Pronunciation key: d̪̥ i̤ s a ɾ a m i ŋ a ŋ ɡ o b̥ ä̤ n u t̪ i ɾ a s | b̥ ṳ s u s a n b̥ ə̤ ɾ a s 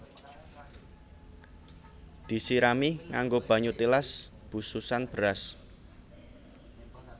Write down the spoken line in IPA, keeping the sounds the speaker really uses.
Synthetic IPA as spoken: d̪̥ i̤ s i ɾ a m i ŋ a ŋ ɡ o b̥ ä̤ ɲ u t̪ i l a s | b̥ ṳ s u s a n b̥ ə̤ ɾ a s